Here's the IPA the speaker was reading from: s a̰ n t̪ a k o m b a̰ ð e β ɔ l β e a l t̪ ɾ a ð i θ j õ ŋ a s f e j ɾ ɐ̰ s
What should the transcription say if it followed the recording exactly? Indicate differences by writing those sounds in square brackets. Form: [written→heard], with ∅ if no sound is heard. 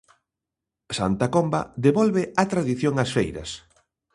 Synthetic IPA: s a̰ n t̪ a k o m b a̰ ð e β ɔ l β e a [l→∅] t̪ ɾ a ð i θ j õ ŋ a s f e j ɾ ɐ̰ s

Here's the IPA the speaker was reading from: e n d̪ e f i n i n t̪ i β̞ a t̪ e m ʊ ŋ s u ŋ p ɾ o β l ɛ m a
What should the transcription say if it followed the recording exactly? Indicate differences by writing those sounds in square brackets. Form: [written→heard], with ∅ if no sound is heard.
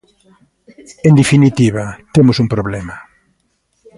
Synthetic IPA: e n d̪ e f i n i [n→∅] t̪ i β̞ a t̪ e m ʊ [ŋ→∅] s u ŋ p ɾ o β l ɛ m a

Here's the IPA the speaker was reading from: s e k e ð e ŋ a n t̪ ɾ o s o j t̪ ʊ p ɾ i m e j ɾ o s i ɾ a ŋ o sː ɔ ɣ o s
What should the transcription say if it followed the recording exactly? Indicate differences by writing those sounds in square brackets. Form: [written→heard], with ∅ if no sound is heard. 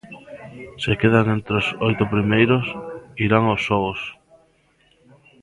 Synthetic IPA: s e k e ð [e→a] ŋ [a→e] n t̪ ɾ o s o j t̪ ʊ p ɾ i m e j ɾ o s i ɾ a ŋ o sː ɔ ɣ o s

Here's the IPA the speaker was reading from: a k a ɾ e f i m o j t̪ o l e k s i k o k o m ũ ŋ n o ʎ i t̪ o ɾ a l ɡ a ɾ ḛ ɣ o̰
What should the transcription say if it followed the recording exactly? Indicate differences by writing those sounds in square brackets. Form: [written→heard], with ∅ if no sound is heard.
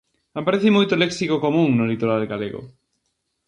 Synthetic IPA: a [k→p] a ɾ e [f→θ] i m o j t̪ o l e k s i k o k o m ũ ŋ n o [ʎ→l] i t̪ o ɾ a l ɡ a [ɾ→l] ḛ ɣ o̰

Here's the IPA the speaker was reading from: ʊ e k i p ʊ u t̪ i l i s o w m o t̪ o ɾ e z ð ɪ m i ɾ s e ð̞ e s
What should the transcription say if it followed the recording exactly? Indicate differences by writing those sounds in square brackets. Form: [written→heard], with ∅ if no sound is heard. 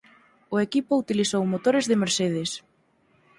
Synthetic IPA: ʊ e k i p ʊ u t̪ i l i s o w m o t̪ o ɾ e z ð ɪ m [i→e] ɾ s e ð̞ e s

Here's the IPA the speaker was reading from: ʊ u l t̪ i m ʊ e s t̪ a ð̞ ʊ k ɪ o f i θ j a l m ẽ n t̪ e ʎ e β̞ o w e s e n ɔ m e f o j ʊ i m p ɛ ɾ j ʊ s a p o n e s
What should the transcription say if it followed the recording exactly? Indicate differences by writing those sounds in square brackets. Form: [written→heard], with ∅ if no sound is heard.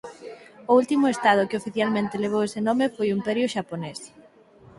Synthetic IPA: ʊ u l t̪ i m ʊ e s t̪ a ð̞ ʊ k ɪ o f i θ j a l m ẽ n t̪ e [ʎ→l] e β̞ o w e s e n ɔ m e f o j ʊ i m p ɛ ɾ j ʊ [s→ʃ] a p o n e s

